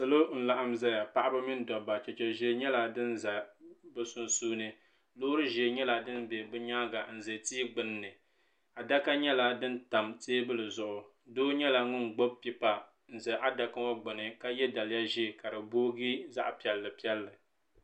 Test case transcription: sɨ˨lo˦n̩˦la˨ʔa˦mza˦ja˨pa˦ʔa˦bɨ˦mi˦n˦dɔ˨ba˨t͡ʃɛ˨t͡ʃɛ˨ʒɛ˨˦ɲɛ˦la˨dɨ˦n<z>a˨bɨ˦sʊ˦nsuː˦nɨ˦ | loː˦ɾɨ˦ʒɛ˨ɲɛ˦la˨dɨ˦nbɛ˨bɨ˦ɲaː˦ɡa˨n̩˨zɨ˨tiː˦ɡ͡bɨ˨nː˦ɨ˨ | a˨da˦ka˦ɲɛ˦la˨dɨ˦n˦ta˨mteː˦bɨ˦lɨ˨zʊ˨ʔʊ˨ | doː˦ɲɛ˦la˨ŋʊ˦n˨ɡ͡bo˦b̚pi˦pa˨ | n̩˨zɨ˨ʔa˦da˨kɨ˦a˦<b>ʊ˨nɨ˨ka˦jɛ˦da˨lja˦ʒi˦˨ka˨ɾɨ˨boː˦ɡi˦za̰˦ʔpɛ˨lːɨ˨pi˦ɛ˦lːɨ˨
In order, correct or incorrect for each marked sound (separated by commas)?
correct, incorrect